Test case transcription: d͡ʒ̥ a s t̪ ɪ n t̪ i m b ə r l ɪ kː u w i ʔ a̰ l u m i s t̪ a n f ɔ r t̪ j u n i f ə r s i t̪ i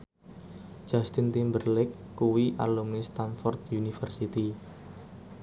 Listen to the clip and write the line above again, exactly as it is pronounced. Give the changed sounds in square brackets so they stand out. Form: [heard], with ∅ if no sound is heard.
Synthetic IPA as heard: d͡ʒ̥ a s t̪ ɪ n t̪ i m b ə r l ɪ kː u w i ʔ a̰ l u m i s t̪ a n f ɔ r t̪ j u n i f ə r s i t̪ i